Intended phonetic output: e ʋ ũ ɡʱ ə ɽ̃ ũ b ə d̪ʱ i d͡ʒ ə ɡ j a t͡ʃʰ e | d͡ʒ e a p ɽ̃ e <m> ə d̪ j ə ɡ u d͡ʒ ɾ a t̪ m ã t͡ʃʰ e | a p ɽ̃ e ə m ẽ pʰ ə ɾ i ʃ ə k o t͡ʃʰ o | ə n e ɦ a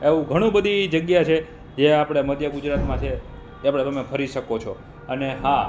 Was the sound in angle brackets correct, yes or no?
yes